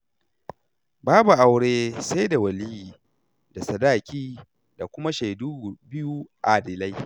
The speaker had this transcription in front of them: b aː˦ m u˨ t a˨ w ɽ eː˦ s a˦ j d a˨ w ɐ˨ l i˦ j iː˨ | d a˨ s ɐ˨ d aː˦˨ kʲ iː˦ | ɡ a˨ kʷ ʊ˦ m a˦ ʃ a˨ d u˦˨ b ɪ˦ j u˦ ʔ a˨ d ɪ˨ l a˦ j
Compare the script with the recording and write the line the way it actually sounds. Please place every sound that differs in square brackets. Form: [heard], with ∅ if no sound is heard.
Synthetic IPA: b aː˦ [b] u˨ [ʔ] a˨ w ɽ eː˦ s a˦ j d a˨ w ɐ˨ l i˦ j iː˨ | d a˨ s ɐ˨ d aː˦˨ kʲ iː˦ | [d] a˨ kʷ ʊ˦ m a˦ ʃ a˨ d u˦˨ b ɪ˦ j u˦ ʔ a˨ d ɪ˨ l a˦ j